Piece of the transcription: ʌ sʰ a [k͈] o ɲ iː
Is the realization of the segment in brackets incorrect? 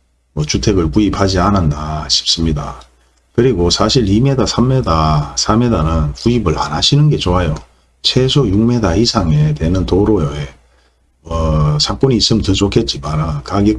no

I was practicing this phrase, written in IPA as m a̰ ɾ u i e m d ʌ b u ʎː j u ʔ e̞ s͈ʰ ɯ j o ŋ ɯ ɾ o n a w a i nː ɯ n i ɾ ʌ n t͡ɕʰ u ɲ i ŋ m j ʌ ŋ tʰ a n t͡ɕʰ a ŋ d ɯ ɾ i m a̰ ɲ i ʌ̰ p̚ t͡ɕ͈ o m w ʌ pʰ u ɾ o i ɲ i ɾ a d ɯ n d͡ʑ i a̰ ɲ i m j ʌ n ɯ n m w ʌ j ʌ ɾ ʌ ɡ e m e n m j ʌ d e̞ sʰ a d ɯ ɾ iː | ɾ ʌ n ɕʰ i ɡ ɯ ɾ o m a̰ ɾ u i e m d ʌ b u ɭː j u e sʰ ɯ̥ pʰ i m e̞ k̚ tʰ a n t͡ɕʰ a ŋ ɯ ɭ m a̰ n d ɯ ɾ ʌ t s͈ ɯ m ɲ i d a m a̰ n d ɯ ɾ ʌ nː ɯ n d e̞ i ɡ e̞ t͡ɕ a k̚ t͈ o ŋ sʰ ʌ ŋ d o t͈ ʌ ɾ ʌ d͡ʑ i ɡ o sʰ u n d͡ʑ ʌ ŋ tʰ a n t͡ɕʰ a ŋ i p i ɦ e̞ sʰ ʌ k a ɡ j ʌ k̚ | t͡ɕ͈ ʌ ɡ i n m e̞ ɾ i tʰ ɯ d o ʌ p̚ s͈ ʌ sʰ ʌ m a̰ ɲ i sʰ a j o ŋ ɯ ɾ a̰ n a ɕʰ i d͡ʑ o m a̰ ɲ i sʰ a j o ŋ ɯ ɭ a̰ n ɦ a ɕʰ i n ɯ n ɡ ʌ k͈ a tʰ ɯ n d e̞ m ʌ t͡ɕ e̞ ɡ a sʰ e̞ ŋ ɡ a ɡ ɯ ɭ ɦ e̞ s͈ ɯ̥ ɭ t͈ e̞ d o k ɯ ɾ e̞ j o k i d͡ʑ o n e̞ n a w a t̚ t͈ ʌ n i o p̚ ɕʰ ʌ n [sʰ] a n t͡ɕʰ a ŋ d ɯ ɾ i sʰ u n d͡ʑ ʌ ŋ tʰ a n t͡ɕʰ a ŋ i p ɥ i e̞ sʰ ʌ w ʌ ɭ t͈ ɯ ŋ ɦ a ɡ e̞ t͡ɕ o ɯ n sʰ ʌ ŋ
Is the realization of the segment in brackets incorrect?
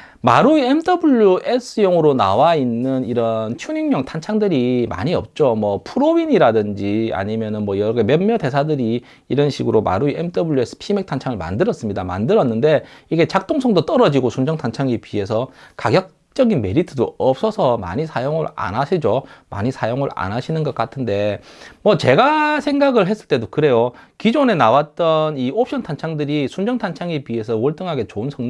yes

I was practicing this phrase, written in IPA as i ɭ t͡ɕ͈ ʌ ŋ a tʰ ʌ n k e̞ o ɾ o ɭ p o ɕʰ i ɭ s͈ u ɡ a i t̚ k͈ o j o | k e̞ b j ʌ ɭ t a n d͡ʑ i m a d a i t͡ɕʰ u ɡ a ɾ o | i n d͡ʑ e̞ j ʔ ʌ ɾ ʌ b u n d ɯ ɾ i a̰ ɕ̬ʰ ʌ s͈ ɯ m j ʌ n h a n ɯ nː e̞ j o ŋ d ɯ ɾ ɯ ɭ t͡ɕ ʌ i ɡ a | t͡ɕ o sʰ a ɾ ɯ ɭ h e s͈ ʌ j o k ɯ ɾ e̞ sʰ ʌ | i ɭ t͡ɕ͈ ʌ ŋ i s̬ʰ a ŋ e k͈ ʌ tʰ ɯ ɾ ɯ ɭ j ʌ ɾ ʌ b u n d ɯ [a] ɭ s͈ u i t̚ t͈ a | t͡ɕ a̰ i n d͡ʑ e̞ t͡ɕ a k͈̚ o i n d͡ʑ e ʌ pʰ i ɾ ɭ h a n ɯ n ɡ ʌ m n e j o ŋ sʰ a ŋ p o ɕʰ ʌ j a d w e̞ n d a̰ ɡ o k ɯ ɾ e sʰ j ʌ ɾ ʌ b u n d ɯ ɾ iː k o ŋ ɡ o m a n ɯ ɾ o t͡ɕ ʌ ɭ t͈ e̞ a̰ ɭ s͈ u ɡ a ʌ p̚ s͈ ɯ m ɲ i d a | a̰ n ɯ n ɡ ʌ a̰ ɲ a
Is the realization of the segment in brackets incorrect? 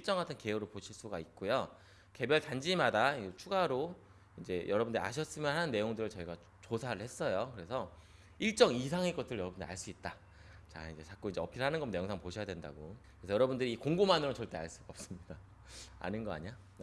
no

